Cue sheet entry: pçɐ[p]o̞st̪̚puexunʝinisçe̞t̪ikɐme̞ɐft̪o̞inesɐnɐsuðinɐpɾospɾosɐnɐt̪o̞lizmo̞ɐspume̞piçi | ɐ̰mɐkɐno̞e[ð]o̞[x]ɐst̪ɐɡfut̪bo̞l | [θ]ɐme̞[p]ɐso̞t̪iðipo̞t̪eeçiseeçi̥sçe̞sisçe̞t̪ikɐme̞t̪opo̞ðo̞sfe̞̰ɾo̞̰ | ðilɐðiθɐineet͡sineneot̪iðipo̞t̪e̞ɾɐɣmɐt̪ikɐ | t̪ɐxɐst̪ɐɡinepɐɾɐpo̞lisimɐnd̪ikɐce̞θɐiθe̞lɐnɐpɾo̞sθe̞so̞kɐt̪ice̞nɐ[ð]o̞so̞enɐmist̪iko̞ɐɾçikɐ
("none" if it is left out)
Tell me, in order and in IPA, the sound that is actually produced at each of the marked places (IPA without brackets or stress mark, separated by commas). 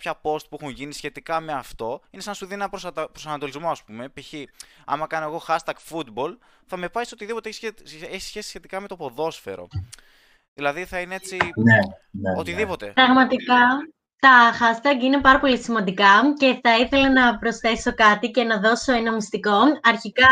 p, ɣ, x, θ, p, ð